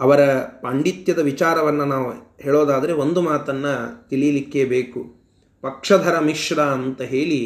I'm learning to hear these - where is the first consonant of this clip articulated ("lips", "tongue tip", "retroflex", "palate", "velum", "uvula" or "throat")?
lips